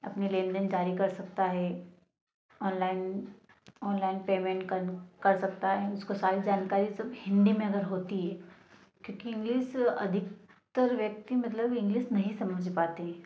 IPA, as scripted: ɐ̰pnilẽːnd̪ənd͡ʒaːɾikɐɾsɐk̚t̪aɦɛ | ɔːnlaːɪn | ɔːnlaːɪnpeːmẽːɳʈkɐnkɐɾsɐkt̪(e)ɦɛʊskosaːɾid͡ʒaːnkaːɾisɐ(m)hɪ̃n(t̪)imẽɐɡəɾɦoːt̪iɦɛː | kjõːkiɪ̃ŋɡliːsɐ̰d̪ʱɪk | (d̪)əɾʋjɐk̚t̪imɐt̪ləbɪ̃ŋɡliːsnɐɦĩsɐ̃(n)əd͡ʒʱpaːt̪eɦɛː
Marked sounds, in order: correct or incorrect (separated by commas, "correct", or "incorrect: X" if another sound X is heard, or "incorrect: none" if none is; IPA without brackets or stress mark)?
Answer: incorrect: a, incorrect: b, incorrect: d̪, incorrect: t̪, incorrect: m